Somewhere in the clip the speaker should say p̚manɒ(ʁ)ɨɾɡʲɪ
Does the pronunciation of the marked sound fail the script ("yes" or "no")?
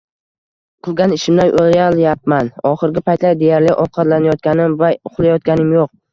yes